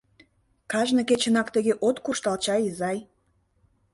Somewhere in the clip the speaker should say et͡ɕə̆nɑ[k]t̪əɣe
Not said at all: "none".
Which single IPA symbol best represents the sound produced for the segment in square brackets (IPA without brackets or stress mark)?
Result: k